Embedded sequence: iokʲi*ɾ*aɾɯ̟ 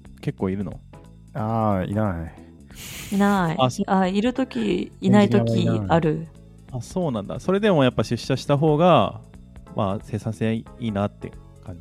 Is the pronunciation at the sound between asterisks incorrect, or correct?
incorrect